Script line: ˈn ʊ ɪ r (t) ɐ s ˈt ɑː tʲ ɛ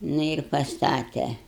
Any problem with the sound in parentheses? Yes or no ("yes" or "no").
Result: yes